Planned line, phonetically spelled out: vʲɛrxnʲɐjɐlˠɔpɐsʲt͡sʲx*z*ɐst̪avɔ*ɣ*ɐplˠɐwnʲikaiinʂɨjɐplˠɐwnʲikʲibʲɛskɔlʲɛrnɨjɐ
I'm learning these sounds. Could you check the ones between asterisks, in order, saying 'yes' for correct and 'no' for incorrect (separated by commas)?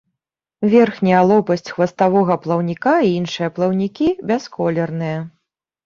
no, yes